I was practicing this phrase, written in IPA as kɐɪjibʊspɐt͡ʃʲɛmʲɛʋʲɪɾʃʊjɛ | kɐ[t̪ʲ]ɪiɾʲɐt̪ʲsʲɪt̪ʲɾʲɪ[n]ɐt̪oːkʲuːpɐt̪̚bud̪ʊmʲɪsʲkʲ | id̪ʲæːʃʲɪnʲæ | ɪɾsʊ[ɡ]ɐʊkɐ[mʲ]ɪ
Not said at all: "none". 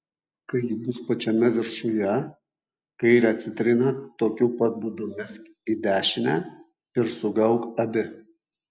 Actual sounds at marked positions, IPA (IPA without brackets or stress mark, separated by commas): none, n, ɡ, bʲ